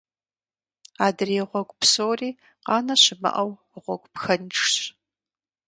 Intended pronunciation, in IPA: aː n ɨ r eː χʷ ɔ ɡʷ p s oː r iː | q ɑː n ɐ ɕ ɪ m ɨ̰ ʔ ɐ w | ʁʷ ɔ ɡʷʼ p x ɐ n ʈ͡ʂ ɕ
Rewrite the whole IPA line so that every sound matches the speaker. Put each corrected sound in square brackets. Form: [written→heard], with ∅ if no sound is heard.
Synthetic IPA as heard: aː [n→d] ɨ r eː [χʷ→ʁʷ] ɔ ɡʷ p s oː r iː | q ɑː n ɐ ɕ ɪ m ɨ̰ ʔ ɐ w | ʁʷ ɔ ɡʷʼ p x ɐ n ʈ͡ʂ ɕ